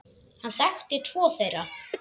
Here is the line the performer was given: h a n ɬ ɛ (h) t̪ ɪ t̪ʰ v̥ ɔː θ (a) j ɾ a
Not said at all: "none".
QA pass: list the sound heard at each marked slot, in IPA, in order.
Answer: x, e

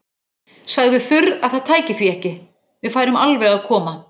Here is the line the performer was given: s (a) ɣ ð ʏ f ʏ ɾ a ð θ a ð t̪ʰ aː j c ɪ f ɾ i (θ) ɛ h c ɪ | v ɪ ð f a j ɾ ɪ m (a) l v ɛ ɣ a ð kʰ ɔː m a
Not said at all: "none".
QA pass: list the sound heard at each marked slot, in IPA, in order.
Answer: a, none, a

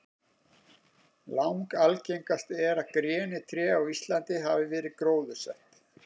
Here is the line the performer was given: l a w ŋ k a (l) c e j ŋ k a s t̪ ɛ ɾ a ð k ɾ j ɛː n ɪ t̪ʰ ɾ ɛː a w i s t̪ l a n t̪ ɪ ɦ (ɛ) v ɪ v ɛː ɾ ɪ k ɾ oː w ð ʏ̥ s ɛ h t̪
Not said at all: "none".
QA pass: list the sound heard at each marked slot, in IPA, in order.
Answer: l, a

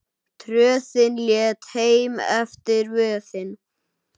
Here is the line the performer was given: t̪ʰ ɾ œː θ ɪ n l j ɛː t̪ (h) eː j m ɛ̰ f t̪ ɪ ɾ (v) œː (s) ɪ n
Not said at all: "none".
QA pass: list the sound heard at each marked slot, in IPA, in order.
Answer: h, v, θ

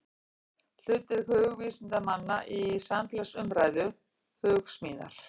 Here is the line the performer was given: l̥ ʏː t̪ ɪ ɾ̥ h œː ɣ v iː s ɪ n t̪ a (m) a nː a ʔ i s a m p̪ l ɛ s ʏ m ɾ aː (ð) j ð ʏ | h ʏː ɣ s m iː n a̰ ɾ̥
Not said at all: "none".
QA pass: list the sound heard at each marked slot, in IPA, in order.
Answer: m, none

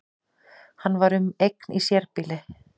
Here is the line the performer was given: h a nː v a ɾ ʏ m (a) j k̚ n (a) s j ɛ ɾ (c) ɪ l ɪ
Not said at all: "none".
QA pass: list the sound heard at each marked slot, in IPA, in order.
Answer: e, i, p

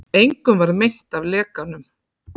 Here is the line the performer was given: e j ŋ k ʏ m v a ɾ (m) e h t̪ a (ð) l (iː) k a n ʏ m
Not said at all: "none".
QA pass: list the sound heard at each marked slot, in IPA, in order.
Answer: m, v, ɛː

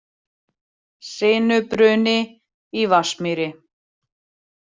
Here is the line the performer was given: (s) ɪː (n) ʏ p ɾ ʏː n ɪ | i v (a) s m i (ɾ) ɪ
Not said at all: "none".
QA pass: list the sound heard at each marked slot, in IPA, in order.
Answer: s, n, a, ɾ

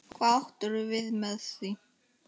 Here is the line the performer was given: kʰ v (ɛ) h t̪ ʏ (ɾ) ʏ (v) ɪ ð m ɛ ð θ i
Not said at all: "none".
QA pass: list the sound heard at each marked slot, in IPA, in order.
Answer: a, ɾ, v

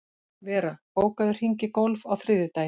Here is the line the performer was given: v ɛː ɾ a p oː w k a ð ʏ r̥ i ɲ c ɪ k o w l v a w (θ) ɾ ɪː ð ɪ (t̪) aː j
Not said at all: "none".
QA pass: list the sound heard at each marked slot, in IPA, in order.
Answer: θ, t̪

